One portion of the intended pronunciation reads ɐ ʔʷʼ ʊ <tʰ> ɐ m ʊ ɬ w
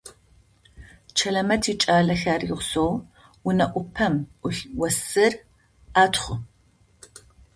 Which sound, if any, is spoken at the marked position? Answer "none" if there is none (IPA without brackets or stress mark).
pʰ